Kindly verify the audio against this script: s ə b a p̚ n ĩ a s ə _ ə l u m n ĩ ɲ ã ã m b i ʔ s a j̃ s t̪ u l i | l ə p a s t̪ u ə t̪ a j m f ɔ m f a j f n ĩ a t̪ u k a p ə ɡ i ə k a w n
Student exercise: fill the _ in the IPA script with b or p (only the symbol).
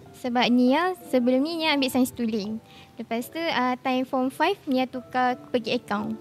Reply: b